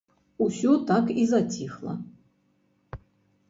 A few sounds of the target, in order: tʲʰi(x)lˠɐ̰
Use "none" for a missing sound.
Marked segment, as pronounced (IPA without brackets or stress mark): x